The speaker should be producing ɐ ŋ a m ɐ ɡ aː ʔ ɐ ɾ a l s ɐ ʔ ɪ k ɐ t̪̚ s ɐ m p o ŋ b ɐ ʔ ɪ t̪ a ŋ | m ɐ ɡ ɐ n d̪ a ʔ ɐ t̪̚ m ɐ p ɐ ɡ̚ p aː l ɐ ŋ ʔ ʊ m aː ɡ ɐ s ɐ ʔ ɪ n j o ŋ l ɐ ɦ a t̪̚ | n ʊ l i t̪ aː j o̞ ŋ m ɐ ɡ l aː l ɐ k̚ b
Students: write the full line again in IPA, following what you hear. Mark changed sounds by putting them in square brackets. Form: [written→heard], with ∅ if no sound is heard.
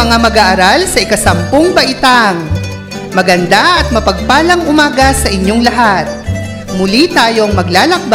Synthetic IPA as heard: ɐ ŋ a m ɐ ɡ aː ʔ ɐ ɾ a l s ɐ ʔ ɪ k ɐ [t̪̚→∅] s ɐ m p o ŋ b ɐ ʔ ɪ t̪ a ŋ | m ɐ ɡ ɐ n d̪ a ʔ ɐ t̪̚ m ɐ p ɐ ɡ̚ p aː l ɐ ŋ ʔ ʊ m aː ɡ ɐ s ɐ ʔ ɪ [n→ɲ] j o ŋ l ɐ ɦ a t̪̚ | [n→m] ʊ l i t̪ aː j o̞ ŋ m ɐ ɡ l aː l ɐ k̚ b